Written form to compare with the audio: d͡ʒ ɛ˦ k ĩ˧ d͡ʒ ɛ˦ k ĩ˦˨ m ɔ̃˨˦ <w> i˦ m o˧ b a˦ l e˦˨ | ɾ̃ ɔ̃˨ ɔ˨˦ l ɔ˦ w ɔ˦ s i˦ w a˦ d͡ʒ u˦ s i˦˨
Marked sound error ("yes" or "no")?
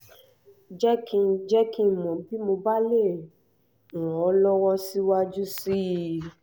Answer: yes